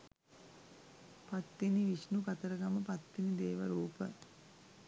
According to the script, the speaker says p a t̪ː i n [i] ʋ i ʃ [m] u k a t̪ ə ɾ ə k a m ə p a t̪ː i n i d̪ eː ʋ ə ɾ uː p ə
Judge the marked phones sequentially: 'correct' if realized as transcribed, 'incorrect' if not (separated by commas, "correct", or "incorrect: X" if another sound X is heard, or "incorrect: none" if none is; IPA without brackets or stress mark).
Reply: correct, incorrect: n